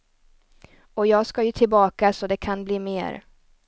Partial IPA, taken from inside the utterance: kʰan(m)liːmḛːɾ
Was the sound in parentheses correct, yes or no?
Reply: no